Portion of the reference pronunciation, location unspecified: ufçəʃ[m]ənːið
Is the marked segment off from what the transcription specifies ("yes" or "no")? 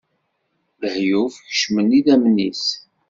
no